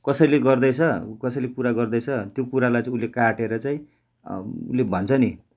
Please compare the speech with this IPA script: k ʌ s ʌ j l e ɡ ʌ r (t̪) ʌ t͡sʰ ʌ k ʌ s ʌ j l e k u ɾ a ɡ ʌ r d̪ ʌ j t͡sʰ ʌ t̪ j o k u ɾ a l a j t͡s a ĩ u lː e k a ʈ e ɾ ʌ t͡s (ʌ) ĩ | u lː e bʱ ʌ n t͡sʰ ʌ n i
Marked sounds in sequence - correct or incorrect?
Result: incorrect, incorrect

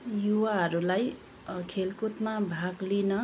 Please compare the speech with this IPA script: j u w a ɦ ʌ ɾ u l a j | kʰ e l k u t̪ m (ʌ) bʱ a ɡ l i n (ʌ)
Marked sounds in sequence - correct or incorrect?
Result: incorrect, correct

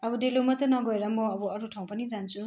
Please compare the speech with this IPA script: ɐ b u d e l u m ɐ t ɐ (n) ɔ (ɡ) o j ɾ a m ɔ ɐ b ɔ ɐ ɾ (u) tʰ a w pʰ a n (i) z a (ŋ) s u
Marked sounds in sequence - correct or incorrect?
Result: correct, correct, correct, correct, incorrect

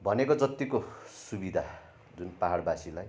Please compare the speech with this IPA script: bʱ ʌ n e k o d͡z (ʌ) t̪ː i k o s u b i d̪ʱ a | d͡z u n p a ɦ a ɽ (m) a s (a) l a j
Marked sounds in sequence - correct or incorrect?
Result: correct, incorrect, incorrect

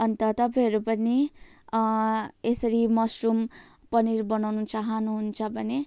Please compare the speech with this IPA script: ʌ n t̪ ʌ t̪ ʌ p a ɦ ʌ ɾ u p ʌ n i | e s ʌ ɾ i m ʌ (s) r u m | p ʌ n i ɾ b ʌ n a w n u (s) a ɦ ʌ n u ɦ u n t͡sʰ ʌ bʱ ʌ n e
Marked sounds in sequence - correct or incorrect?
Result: correct, incorrect

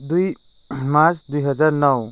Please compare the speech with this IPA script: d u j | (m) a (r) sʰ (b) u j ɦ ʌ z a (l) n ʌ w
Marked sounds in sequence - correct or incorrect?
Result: correct, incorrect, incorrect, incorrect

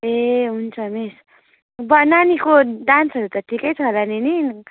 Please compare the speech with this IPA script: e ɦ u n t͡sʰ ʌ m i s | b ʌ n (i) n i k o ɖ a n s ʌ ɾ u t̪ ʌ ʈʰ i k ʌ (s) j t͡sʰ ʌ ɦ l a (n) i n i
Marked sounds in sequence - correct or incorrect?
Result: incorrect, incorrect, correct

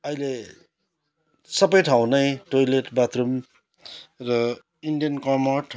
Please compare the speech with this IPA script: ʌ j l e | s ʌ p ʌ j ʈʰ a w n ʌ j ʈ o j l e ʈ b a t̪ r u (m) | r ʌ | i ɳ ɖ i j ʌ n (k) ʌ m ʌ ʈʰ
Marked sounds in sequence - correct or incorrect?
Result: correct, correct

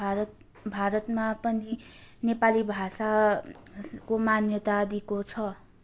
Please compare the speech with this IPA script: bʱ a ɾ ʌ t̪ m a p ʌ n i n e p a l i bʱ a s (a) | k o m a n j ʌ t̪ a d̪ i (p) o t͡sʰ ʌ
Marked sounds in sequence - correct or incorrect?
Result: correct, incorrect

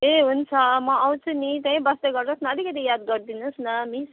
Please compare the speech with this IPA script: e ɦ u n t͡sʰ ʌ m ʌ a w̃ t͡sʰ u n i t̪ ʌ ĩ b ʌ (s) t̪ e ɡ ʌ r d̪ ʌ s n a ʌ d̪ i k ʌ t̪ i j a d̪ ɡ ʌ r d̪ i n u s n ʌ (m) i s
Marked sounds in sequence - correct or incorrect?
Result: correct, correct

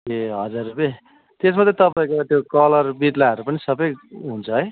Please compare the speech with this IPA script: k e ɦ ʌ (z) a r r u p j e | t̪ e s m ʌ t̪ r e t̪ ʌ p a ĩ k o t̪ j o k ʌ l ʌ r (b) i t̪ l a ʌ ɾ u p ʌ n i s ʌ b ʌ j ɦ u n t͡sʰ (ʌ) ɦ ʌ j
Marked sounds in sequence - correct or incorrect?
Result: incorrect, correct, correct

